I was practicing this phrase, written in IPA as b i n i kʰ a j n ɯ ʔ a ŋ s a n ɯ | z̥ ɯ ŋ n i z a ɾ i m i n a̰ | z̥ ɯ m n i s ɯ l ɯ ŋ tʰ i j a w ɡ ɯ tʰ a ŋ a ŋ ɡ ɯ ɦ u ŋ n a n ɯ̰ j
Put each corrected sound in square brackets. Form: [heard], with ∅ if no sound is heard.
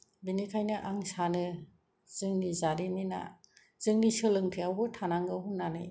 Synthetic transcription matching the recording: b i n i kʰ a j n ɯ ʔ a ŋ s a n ɯ | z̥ ɯ ŋ n i z a ɾ i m i n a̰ | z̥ ɯ [ŋ] n i s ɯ l ɯ ŋ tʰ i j a w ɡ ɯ tʰ a [n] a ŋ ɡ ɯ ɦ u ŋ n a n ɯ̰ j